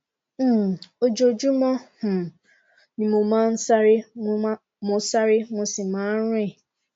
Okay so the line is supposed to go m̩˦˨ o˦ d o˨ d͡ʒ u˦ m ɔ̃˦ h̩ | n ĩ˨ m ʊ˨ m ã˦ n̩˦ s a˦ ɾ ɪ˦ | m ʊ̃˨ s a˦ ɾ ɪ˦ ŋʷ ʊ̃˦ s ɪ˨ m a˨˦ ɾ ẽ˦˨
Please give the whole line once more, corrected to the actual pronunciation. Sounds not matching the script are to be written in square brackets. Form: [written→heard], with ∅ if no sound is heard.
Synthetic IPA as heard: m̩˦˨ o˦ [d→d͡ʒ] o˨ d͡ʒ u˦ m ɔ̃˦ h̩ | n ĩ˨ m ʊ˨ m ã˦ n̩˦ s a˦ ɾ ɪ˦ | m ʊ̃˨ s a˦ ɾ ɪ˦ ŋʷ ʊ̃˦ s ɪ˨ m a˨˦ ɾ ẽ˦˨